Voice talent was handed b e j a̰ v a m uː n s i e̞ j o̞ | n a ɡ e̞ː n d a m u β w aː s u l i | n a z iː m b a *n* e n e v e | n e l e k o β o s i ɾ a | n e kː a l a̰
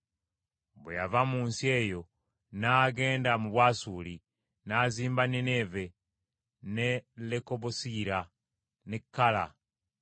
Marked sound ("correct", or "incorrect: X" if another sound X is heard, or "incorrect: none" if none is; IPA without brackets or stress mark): correct